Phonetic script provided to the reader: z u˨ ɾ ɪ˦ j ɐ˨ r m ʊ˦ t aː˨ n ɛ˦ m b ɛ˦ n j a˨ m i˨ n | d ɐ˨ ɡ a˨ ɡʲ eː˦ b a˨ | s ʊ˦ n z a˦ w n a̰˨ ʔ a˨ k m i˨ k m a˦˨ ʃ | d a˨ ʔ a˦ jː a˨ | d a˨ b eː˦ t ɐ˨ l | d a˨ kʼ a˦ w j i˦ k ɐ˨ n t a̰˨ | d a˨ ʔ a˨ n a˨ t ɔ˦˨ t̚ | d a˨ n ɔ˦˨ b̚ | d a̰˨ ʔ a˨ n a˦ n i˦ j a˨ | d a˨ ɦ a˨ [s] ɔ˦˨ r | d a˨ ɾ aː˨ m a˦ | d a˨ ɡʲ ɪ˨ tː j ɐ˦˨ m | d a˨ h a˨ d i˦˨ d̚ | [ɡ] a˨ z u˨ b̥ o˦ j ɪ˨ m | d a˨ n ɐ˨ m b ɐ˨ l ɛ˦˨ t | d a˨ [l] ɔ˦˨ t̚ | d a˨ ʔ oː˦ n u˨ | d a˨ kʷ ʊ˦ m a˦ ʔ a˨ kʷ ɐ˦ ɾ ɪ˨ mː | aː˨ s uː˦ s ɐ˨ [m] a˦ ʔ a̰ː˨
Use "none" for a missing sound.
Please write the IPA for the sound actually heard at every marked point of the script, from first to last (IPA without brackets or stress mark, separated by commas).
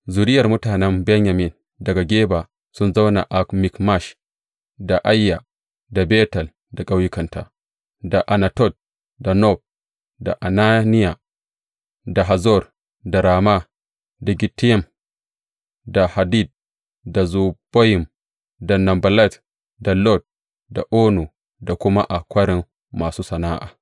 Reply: z, d, l, n